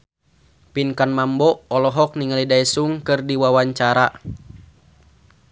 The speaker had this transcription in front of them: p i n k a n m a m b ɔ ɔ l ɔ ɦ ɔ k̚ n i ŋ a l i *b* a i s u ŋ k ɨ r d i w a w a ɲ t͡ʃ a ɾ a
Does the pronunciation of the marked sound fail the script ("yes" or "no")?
yes